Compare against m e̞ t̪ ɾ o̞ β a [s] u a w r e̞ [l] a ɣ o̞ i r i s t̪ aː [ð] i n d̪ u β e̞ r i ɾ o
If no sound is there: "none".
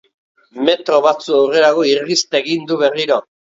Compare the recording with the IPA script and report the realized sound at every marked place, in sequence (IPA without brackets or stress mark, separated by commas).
t͡s, ɾ, ɣ